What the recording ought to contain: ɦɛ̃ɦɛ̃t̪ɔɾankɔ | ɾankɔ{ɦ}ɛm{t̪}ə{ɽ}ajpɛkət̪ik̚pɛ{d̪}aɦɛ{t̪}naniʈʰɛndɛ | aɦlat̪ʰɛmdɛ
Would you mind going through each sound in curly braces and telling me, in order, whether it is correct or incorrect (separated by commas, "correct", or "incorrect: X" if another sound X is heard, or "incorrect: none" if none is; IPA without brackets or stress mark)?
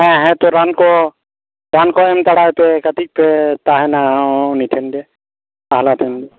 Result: incorrect: none, correct, correct, incorrect: t̪, incorrect: none